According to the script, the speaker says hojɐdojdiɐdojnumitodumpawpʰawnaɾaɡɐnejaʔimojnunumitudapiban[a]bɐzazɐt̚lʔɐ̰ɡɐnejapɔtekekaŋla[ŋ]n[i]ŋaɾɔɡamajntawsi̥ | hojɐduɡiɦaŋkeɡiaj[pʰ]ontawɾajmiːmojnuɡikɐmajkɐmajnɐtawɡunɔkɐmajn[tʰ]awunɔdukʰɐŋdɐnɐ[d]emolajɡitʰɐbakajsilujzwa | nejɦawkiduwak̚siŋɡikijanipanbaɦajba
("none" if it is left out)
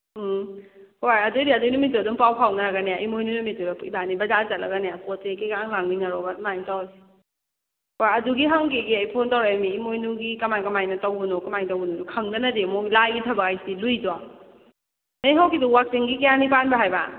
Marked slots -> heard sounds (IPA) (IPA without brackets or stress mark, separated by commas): i, ŋ, i, pʰ, t, d